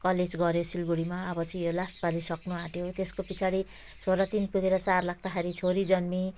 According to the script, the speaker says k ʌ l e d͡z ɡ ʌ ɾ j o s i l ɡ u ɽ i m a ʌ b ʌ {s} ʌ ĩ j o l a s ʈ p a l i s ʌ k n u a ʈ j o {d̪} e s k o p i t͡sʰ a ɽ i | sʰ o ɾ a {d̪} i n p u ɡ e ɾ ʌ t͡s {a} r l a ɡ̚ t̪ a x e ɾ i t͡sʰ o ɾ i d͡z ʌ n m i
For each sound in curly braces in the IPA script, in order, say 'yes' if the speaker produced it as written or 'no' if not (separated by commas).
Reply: no, no, no, yes